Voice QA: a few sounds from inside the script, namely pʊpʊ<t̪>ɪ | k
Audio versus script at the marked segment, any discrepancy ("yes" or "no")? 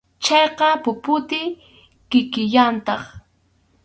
no